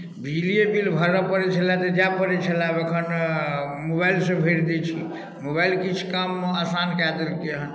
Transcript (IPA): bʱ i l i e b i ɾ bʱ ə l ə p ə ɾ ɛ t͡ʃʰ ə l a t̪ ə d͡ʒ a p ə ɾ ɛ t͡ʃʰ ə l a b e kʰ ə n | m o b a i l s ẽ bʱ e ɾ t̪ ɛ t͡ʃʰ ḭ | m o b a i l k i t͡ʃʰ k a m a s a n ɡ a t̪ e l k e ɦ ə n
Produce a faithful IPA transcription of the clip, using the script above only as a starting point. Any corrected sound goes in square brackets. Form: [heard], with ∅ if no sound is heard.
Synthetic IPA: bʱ i l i e b i [l] bʱ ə [ɾ] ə p ə ɾ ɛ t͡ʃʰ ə l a t̪ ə d͡ʒ a p ə ɾ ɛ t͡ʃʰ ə l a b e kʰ ə n | m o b a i l s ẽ bʱ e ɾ [d̪] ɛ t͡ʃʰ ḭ | m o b a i l k i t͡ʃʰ k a m a s a n [k] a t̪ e l k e ɦ ə n